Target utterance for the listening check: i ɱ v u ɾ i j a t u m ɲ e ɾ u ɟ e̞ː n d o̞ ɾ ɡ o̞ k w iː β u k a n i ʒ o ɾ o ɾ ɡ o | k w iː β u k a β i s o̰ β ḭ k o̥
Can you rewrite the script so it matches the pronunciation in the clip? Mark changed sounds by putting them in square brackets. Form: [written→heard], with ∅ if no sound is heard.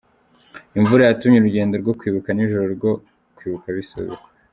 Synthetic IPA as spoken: i ɱ v u ɾ [i→a] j a t u m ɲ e ɾ u ɟ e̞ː n d o̞ ɾ ɡ o̞ k w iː β u k a n i ʒ o ɾ o ɾ ɡ o | k w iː β u k a β i s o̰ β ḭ k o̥